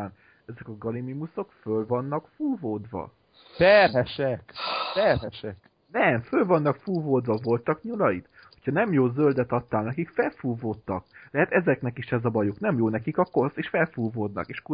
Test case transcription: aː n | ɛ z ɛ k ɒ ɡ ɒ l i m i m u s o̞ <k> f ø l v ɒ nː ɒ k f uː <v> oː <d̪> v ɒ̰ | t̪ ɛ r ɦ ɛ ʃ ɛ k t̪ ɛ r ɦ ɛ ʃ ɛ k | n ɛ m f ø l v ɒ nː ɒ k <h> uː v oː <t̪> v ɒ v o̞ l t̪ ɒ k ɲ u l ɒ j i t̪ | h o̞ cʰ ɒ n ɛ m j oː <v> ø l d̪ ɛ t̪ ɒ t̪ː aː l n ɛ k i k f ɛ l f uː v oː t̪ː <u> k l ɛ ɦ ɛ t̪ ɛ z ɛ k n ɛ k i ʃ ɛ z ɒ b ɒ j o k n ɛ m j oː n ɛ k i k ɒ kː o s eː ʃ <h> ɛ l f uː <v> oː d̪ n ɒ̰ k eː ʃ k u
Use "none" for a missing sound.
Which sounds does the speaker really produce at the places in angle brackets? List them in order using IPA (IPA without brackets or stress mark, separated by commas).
k, v, d̪, f, d̪, z, ɒ, f, v